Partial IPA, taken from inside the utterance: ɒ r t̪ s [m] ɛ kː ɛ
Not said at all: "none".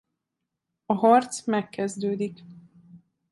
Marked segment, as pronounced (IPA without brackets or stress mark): m